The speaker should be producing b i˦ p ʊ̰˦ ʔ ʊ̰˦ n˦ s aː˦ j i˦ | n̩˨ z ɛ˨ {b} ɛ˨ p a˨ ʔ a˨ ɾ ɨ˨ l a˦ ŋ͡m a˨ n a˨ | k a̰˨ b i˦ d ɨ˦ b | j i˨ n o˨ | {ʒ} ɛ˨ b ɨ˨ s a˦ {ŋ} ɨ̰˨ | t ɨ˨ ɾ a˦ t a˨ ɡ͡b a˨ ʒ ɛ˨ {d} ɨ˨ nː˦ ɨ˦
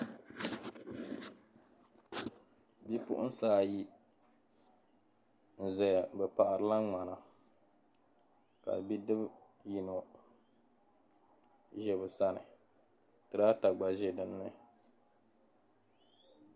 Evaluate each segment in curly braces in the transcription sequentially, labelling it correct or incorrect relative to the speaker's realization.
correct, correct, incorrect: n, correct

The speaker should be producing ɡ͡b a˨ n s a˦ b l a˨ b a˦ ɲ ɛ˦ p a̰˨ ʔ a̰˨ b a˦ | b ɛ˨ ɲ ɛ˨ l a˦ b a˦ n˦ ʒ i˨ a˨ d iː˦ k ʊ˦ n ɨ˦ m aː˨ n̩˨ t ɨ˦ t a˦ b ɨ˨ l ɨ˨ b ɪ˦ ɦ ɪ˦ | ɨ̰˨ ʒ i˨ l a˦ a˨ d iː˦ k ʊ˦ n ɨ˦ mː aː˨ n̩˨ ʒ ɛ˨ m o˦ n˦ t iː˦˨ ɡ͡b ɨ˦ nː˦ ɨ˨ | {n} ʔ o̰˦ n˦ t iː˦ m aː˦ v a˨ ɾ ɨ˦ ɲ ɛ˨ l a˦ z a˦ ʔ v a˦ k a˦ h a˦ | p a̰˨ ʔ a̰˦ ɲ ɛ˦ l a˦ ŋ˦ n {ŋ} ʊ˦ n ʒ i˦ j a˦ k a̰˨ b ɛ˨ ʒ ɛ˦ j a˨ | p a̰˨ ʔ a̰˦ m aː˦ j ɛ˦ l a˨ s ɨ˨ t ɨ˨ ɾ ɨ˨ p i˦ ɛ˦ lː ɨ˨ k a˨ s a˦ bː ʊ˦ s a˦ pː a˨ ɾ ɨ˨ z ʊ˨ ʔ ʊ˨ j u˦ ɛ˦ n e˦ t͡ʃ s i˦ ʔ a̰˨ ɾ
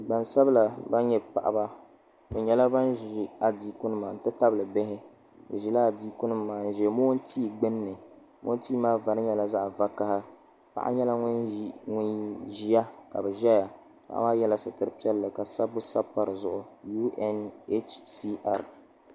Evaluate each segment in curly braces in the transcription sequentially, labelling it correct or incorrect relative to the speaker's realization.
incorrect: m, correct

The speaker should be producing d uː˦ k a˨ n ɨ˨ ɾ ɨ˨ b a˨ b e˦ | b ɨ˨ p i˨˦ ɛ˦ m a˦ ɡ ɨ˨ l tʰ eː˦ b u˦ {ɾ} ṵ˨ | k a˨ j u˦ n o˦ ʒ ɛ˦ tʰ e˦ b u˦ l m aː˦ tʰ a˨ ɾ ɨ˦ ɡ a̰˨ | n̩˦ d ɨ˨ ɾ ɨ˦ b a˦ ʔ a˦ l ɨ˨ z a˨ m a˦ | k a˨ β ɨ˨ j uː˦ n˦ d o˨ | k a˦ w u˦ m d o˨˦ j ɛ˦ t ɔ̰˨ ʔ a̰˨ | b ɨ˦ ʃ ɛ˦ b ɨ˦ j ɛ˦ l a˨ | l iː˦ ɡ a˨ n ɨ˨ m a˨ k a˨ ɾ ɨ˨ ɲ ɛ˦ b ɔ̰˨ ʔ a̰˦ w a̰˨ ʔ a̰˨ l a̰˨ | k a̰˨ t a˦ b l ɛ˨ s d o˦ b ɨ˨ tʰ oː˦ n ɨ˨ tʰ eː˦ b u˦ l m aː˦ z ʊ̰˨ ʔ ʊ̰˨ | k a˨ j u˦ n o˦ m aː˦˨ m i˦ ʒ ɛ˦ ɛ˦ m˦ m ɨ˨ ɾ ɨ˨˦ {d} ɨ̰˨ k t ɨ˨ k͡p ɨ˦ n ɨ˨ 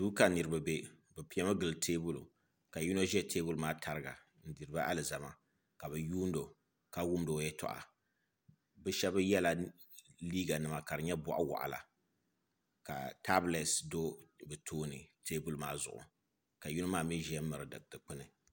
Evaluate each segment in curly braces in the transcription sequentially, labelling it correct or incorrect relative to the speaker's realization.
incorrect: l, correct

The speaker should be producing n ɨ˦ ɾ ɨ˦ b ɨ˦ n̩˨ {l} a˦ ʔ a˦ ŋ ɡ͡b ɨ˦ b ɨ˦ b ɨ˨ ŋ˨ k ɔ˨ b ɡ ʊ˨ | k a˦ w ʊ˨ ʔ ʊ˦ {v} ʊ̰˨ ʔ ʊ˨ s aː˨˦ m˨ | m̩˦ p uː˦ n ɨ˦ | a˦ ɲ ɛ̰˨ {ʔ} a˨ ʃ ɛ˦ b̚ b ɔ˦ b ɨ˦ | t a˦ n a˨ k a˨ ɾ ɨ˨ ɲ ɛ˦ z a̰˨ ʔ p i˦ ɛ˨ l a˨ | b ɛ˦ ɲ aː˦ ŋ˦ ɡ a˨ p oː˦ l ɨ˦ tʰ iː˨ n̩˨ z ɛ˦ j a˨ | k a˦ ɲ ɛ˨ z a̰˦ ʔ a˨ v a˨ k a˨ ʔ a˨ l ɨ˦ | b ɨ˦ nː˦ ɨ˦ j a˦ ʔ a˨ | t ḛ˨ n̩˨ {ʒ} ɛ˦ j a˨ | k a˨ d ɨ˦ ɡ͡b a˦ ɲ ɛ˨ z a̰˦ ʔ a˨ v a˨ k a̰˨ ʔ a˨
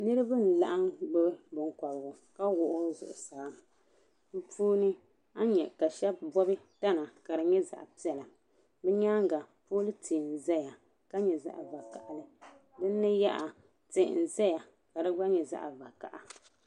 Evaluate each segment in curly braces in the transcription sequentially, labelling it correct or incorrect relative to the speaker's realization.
correct, incorrect: z, incorrect: k, incorrect: z

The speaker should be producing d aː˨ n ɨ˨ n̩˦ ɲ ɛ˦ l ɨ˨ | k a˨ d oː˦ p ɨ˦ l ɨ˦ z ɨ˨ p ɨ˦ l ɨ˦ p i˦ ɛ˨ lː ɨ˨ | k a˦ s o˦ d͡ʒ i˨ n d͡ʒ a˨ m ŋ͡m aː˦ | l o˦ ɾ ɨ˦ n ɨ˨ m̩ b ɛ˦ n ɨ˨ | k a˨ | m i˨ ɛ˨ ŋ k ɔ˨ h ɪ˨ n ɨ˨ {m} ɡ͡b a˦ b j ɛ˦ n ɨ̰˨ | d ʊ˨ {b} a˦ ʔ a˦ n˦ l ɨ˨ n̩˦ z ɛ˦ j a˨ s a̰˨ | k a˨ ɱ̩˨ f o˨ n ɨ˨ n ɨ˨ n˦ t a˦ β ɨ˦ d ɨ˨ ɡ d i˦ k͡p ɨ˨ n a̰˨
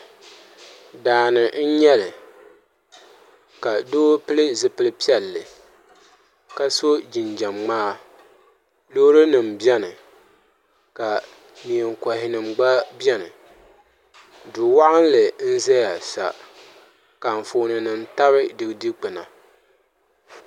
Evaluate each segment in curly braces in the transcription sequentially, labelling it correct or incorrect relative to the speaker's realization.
correct, incorrect: w

